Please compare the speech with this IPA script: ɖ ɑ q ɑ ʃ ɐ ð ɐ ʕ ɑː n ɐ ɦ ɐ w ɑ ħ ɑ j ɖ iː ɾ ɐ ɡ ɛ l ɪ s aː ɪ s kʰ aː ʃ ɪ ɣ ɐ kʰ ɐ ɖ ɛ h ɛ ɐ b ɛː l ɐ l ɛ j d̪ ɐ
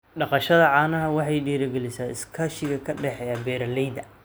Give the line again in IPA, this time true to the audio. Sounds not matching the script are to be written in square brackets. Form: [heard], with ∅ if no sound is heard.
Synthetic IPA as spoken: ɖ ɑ q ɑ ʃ ɐ ð ɐ ʕ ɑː n ɐ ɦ ɐ w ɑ ħ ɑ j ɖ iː ɾ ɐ ɡ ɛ l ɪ s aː ɪ s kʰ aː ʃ ɪ ɣ ɐ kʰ ɐ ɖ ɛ [ħ] ɛ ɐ b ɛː [ɾ] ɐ l ɛ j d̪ ɐ